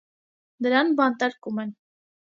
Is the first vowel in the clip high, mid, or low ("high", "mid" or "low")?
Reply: mid